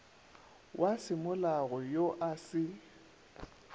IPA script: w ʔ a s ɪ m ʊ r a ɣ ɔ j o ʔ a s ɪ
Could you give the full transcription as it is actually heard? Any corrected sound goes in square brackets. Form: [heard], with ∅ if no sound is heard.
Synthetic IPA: w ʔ a s ɪ m ʊ [l] a ɣ ɔ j o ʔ a s ɪ